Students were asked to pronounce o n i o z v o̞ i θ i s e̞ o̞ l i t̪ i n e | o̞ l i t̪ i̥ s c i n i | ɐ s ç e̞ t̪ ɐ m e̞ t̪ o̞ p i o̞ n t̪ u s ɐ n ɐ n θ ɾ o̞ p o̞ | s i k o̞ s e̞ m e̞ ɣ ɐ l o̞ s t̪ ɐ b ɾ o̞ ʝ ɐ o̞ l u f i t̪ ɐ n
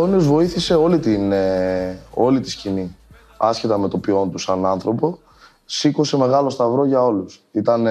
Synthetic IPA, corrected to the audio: o n i o z v o̞ i θ i s e̞ o̞ l i t̪ i n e | o̞ l i t̪ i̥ s c i n i | ɐ s ç e̞ t̪ ɐ m e̞ t̪ o̞ p i o̞ n t̪ u s ɐ n ɐ n θ ɾ o̞ p o̞ | s i k o̞ s e̞ m e̞ ɣ ɐ l o̞ s t̪ ɐ v ɾ o̞ ʝ ɐ o̞ l u s i t̪ ɐ n